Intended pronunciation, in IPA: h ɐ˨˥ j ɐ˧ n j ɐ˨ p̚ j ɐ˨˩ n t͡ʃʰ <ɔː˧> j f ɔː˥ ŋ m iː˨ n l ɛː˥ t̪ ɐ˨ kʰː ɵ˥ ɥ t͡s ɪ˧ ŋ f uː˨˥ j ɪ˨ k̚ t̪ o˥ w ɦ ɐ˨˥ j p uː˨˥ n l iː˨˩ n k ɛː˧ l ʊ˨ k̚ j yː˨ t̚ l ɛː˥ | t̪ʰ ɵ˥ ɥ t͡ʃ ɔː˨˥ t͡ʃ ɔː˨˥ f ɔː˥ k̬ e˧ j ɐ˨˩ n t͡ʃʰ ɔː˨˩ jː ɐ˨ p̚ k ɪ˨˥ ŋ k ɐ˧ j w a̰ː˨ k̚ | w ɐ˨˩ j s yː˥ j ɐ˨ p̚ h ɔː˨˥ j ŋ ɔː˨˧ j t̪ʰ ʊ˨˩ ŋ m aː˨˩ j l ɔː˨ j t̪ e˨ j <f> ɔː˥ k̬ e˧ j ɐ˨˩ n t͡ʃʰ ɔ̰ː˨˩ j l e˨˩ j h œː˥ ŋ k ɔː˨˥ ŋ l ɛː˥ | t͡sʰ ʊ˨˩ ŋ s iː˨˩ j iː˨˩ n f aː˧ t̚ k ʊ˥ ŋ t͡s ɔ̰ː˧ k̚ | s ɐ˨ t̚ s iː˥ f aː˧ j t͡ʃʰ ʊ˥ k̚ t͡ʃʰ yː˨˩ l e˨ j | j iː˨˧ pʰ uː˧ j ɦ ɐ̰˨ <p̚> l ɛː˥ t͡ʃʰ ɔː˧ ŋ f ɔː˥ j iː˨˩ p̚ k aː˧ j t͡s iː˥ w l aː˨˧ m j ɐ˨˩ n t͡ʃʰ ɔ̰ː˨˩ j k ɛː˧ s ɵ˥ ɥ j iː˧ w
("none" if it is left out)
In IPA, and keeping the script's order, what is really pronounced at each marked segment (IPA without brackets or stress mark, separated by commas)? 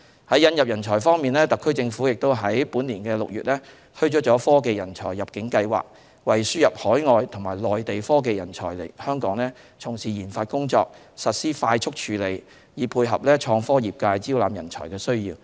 ɔː˨˩, f, p̚